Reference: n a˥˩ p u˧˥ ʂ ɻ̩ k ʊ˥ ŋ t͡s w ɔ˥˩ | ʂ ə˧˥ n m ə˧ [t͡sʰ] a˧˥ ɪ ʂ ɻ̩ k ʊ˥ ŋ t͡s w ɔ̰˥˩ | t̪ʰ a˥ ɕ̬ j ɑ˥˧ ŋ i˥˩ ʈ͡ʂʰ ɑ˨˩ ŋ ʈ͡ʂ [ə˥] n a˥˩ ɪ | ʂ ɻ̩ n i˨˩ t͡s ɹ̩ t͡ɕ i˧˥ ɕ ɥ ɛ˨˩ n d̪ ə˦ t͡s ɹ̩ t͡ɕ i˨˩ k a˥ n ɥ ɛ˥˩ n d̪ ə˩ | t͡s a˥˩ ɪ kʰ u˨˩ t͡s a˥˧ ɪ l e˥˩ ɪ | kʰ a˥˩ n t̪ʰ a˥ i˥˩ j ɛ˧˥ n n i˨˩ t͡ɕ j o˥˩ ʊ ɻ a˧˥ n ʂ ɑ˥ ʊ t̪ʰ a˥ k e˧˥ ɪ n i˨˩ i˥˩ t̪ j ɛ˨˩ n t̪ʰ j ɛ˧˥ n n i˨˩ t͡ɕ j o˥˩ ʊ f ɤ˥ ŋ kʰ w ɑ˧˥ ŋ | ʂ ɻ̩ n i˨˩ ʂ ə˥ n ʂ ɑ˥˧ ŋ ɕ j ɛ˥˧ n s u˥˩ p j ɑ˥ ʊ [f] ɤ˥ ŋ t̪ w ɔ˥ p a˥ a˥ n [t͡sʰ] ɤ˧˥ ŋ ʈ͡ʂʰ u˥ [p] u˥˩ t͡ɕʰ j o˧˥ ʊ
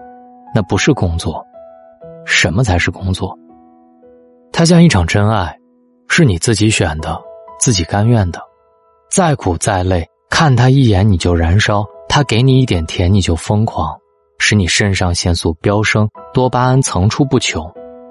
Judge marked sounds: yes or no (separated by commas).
yes, yes, no, yes, yes